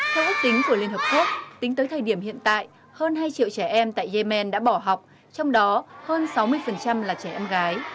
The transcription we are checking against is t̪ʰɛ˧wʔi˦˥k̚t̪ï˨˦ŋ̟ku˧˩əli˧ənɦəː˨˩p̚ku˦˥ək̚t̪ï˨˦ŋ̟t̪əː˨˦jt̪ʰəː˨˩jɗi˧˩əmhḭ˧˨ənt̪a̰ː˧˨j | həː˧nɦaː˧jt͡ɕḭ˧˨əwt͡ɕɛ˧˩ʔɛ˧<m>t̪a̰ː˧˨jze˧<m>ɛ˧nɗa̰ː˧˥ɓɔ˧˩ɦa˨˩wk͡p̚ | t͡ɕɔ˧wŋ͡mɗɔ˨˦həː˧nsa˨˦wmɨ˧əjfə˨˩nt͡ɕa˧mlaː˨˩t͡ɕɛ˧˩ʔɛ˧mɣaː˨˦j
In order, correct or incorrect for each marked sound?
correct, correct

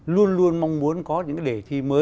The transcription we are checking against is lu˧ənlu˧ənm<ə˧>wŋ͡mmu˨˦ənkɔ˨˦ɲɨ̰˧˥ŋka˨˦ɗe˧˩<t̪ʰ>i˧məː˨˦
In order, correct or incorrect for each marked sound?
incorrect, correct

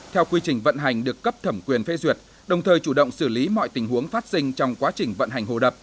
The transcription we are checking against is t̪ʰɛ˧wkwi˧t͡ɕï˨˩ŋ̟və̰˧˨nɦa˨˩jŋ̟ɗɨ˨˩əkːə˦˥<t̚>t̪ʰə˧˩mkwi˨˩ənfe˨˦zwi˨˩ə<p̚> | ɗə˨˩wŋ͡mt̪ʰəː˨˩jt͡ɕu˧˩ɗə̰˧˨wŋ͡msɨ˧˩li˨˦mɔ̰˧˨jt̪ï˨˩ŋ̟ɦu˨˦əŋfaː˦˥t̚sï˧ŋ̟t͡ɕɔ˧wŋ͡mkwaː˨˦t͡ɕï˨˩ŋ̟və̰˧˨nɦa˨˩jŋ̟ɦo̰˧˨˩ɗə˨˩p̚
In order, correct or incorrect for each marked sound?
incorrect, incorrect

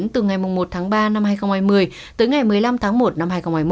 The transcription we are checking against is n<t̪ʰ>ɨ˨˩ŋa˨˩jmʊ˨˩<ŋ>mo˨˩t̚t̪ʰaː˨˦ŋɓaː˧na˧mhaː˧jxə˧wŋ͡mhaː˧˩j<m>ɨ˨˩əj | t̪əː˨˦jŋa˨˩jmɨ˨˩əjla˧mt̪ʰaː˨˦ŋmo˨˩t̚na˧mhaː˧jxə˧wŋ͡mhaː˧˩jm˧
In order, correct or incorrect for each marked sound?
incorrect, incorrect, correct

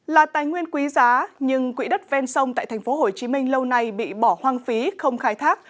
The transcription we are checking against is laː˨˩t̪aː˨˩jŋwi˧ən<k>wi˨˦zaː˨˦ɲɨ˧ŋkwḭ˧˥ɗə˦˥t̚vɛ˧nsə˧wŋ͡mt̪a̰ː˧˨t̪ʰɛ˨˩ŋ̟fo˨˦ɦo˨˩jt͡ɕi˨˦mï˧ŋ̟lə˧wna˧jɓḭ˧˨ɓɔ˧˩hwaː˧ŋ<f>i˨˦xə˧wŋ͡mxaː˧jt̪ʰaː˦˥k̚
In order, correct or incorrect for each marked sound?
correct, correct

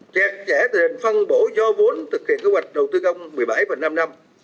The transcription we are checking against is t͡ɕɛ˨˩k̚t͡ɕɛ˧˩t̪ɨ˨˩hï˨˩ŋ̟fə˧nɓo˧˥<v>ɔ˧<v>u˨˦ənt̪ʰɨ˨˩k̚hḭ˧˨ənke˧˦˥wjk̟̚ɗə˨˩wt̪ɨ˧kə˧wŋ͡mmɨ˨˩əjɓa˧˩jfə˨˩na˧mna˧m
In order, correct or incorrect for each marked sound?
incorrect, correct

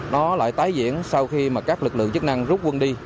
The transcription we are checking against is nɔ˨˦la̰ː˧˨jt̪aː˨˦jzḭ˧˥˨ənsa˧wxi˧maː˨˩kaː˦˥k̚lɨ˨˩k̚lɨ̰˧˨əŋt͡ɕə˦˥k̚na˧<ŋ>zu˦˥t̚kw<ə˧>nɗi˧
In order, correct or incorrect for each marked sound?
correct, correct

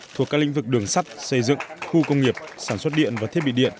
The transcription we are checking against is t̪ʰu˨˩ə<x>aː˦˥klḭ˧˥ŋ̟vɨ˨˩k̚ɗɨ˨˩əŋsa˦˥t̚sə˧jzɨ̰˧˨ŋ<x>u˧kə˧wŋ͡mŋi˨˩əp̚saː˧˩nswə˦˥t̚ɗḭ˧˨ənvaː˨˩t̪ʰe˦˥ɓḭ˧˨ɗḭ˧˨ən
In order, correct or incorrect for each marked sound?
incorrect, correct

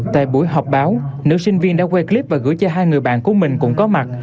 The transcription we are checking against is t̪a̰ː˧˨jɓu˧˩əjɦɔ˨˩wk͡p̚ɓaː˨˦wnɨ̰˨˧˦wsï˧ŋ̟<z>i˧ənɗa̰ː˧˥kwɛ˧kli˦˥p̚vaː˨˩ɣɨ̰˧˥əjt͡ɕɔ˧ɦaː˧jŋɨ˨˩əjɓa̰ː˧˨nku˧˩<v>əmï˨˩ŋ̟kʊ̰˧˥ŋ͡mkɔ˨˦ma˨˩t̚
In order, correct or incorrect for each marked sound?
incorrect, incorrect

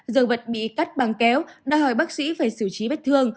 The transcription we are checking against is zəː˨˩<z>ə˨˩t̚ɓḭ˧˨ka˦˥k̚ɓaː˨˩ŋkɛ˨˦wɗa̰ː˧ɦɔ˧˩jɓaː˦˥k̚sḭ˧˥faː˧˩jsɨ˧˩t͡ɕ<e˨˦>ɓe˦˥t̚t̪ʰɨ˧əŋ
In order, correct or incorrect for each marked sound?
incorrect, incorrect

